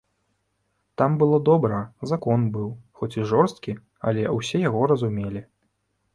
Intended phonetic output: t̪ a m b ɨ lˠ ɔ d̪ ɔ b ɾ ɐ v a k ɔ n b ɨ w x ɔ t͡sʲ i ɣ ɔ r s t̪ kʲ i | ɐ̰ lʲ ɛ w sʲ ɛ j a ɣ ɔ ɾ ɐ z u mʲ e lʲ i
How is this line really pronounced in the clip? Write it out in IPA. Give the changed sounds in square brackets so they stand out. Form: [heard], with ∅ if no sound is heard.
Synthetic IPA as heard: t̪ a m b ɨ lˠ ɔ d̪ ɔ b ɾ ɐ [z] a k ɔ n b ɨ w x ɔ t͡sʲ i [ʐ] ɔ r s t̪ kʲ i | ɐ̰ lʲ ɛ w sʲ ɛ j a ɣ ɔ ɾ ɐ z u mʲ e lʲ i